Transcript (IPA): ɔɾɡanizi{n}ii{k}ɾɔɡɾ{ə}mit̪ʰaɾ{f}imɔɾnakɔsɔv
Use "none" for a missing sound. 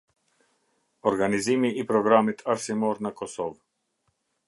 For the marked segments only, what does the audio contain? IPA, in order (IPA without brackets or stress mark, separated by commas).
m, p, a, s